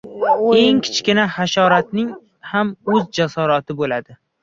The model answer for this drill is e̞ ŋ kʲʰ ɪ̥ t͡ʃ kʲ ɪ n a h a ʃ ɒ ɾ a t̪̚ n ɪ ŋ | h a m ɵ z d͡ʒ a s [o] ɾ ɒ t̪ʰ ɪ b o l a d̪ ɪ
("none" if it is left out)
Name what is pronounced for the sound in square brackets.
ɒ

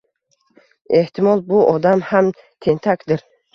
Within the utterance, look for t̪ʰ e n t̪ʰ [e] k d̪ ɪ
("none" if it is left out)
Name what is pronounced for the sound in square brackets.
a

